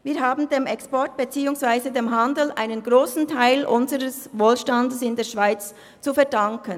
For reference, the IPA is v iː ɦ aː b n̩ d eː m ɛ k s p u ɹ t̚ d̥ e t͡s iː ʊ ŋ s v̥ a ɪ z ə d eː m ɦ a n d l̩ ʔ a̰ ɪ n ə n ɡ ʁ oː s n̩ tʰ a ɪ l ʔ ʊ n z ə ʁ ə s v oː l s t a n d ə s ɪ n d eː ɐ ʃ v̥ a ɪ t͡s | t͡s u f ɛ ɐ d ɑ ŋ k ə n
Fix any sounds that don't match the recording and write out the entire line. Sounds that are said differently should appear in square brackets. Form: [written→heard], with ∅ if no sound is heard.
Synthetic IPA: v iː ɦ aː b n̩ d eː m ɛ k s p [u→ɔ] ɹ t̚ [d̥→b̥] e t͡s iː ʊ ŋ s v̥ a ɪ z ə d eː m ɦ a n d l̩ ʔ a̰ ɪ n ə n ɡ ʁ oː s n̩ tʰ a ɪ l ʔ ʊ n z ə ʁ ə s v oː l [s→ʃ] t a n d ə s ɪ n d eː ɐ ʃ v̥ a ɪ t͡s | t͡s u f ɛ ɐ d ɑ ŋ k ə n